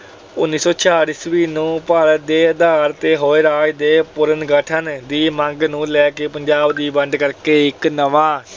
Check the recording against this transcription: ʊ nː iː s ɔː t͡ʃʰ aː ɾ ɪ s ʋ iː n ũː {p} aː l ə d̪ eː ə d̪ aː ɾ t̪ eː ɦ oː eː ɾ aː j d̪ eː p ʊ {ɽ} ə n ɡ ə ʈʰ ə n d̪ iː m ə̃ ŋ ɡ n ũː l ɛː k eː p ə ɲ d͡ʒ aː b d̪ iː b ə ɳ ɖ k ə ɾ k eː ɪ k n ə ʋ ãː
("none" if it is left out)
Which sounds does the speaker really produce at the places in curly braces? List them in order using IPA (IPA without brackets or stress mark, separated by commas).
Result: p, ɾ